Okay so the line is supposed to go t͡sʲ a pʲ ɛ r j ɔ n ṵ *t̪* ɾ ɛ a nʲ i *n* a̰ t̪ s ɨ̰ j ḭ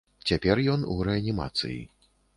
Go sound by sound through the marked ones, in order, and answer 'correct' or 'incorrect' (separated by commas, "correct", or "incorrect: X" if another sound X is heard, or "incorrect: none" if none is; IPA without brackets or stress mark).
incorrect: none, incorrect: m